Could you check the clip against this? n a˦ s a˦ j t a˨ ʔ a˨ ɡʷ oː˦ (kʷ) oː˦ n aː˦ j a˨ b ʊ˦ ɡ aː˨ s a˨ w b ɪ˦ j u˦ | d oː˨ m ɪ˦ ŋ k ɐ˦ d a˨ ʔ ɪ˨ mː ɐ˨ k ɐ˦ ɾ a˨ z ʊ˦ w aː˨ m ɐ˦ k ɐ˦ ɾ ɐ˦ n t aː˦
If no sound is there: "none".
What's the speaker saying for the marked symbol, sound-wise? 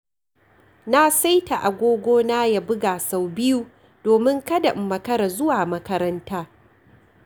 ɡʷ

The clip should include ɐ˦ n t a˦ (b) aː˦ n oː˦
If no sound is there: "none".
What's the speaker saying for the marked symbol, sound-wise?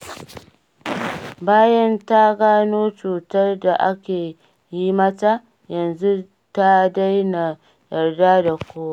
ɡ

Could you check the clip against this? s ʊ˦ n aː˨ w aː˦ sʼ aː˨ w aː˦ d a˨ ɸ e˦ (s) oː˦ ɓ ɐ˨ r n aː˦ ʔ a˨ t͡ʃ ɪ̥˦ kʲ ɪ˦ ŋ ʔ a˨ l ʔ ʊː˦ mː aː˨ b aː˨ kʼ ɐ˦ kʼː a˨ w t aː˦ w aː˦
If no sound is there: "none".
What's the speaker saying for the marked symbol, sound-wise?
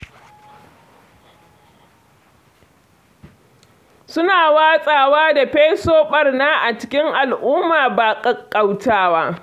s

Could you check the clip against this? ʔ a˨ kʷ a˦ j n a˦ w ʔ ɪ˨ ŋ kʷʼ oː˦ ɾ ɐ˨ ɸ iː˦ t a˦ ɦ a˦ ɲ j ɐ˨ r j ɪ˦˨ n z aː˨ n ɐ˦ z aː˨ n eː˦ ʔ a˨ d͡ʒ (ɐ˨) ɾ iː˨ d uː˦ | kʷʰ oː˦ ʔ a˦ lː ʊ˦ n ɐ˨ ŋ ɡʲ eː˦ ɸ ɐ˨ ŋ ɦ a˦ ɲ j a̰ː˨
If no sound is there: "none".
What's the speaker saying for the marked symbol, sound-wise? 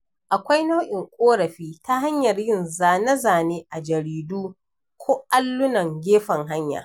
ɐ˨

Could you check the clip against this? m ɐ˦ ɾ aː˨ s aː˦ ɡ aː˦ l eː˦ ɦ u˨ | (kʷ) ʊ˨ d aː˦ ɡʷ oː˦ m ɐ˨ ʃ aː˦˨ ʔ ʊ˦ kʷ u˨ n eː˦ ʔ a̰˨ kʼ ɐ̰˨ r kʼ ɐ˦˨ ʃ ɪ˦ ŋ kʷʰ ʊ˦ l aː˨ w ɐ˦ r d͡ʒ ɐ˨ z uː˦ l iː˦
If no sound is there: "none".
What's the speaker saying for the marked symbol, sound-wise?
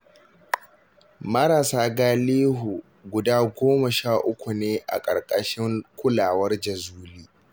ɡʷ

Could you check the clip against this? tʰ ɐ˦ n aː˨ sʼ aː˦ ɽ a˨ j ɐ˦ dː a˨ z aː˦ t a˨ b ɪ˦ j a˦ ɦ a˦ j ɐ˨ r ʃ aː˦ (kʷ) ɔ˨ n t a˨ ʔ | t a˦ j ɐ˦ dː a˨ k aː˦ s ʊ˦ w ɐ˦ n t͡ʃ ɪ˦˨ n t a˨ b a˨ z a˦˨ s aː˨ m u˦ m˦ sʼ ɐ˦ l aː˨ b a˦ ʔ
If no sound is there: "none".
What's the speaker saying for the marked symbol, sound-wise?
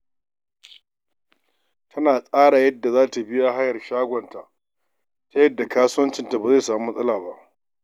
ɡʷ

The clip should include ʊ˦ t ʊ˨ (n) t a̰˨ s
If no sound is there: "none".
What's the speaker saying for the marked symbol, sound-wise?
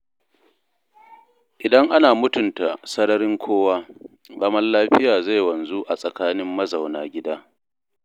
n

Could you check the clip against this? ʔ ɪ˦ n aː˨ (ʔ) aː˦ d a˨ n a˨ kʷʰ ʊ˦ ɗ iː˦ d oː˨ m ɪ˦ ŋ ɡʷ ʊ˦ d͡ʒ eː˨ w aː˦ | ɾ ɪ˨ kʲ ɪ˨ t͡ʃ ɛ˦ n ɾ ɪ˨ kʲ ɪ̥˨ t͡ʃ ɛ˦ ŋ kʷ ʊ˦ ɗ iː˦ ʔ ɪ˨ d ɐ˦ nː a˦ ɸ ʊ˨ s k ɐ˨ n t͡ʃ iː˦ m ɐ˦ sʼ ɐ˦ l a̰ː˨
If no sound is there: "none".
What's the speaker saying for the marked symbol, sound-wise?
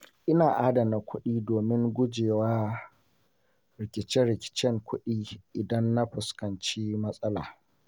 ʔ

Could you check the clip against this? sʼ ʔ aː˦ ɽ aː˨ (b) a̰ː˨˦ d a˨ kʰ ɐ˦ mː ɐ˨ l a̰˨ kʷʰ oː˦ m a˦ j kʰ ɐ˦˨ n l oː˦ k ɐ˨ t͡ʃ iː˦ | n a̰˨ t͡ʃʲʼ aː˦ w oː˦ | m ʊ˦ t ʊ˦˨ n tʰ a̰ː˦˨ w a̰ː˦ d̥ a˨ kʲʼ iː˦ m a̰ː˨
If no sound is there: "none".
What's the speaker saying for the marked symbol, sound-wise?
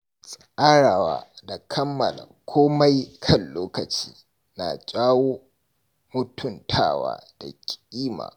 w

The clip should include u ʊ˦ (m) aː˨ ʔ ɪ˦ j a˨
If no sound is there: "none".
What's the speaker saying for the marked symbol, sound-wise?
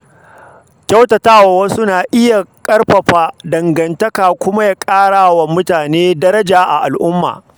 n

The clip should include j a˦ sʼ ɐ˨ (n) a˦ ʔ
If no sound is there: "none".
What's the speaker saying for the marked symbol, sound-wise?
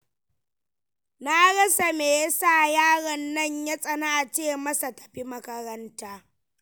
n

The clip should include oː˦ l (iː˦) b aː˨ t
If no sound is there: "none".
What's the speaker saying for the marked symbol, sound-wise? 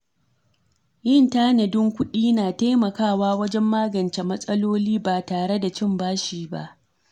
iː˦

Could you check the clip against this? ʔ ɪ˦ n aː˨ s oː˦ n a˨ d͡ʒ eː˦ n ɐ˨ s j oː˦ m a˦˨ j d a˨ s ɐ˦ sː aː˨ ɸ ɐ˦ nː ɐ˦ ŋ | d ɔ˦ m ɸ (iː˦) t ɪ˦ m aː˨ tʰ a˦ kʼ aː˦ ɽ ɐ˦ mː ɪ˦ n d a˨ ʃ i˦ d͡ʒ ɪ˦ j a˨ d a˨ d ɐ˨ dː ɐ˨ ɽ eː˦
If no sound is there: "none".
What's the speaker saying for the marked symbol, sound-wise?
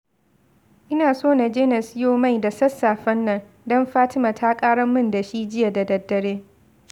aː˦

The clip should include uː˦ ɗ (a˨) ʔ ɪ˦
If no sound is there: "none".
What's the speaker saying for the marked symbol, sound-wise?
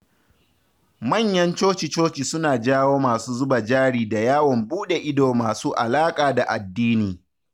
e˨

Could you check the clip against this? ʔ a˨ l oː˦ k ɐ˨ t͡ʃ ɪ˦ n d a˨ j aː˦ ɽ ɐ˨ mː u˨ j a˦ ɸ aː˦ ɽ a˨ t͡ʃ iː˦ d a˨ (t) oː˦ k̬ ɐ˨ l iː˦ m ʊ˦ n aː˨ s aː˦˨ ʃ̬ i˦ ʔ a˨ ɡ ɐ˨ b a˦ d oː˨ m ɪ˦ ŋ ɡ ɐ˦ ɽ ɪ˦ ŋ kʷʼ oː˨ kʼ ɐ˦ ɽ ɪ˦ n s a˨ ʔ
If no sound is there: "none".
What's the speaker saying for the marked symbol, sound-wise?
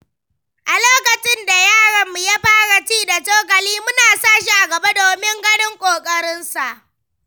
t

